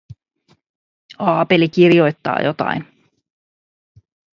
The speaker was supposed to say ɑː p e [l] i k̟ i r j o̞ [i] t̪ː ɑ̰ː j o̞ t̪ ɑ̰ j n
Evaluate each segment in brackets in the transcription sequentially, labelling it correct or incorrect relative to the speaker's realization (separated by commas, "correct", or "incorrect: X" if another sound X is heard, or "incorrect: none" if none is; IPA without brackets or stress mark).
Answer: correct, incorrect: j